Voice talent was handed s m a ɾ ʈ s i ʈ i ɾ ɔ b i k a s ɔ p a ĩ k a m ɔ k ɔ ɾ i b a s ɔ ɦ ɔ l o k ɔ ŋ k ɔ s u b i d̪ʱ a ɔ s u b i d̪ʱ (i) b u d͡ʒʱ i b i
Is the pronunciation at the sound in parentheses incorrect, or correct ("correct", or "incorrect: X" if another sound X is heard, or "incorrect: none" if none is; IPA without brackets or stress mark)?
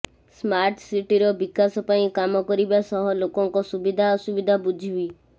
incorrect: a